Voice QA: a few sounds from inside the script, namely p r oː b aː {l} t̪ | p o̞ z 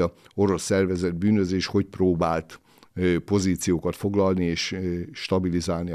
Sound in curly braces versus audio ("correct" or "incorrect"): correct